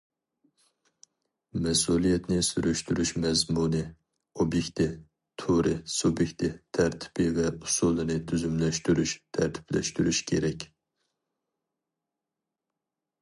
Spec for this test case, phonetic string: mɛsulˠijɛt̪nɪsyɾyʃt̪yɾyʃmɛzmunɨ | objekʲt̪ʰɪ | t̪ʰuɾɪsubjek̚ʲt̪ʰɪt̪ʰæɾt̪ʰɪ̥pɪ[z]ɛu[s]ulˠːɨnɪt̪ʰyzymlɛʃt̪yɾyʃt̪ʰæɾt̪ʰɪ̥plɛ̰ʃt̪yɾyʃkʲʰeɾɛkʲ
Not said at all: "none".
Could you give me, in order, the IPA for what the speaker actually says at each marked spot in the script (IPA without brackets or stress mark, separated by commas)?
v, s